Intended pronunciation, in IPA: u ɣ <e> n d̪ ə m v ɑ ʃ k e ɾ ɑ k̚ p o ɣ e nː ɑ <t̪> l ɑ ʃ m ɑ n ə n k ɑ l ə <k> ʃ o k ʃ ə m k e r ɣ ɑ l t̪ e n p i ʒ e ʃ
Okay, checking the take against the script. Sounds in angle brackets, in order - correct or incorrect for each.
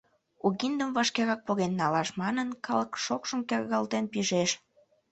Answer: incorrect: i, incorrect: none, correct

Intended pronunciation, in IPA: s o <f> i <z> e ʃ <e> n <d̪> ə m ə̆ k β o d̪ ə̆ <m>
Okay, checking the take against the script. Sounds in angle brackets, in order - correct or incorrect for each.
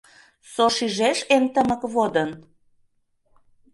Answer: incorrect: ʃ, incorrect: ʒ, correct, incorrect: t̪, incorrect: n

